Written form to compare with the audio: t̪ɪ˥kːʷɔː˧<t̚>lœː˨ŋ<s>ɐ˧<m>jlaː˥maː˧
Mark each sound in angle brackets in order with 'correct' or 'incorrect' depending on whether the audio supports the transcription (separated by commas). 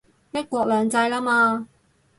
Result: incorrect, incorrect, incorrect